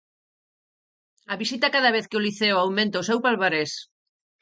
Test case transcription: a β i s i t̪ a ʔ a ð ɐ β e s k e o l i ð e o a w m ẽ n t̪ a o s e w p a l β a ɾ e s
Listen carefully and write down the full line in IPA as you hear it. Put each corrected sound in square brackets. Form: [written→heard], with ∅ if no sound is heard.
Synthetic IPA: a β i s i t̪ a [ʔ→k] a ð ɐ β e [s→θ] k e o l i [ð→θ] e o a w m ẽ n t̪ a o s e w p a l β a ɾ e s